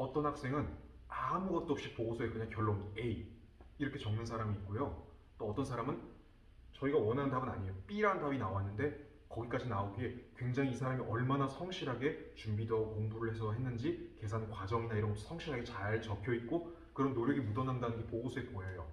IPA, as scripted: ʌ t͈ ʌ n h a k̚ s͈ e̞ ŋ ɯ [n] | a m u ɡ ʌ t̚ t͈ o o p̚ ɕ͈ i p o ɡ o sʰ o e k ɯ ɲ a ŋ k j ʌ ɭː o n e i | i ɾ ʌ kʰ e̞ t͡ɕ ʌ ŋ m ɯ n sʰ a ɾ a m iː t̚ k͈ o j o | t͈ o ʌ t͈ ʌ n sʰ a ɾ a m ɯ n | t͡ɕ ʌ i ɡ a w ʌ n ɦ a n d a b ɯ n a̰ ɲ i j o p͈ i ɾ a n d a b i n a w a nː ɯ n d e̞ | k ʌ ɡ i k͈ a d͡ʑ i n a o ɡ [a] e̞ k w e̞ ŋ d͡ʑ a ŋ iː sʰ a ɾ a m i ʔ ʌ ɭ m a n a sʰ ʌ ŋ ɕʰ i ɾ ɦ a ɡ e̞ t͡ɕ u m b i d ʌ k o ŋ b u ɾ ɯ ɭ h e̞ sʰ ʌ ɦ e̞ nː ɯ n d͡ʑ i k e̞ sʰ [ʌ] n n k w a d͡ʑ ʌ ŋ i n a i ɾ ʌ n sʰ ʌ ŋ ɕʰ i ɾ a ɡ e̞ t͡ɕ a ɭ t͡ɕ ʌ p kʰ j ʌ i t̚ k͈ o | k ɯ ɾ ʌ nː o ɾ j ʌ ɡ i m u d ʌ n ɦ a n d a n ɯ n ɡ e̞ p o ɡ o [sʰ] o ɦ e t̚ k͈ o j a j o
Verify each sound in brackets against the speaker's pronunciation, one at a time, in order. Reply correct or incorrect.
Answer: correct, incorrect: i, incorrect: a, correct

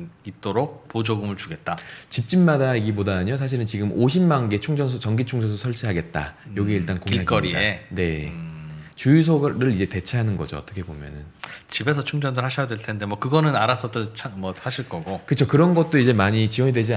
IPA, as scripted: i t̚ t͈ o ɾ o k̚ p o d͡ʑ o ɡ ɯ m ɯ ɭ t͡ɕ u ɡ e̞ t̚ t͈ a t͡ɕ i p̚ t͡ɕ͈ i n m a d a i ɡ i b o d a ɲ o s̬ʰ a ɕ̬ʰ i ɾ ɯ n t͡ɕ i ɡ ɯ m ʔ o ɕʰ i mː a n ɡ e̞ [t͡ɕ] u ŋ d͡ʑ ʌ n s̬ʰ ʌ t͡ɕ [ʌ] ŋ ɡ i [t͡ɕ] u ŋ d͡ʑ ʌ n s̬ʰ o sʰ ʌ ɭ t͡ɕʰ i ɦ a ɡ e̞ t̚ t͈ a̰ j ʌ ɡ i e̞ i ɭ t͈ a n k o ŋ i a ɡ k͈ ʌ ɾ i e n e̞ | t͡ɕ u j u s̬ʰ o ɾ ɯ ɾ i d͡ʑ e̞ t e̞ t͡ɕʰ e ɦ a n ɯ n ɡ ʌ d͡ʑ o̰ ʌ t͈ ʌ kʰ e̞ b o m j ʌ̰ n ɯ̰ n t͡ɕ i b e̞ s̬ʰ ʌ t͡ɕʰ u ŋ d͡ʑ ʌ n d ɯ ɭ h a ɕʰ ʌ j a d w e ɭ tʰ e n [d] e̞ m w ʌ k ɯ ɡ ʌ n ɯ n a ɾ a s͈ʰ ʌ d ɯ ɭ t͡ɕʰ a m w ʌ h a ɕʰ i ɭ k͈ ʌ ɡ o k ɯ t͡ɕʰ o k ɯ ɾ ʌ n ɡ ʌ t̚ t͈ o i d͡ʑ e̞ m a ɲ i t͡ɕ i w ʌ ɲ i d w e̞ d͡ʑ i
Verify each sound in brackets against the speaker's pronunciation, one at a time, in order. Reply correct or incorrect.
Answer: incorrect: t͡ɕʰ, correct, incorrect: t͡ɕʰ, correct

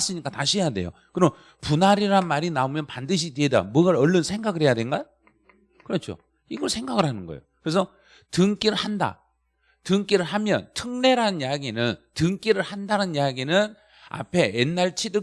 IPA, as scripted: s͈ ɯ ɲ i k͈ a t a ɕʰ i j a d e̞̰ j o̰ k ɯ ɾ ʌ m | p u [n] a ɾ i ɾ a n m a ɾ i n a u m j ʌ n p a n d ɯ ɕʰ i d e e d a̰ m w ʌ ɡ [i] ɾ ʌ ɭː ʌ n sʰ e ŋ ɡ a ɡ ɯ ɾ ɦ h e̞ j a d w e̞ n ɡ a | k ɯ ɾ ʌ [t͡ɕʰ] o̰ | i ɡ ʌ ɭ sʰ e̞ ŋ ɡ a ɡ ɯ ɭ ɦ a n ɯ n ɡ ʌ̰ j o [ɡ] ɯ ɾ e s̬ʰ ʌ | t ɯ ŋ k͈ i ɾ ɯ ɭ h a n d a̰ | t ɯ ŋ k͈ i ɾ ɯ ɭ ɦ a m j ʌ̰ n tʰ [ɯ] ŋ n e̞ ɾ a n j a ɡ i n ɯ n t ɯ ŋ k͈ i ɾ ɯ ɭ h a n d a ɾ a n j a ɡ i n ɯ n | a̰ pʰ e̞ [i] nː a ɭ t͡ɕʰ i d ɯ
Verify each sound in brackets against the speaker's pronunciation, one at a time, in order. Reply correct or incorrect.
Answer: correct, incorrect: a, correct, incorrect: k, correct, incorrect: e

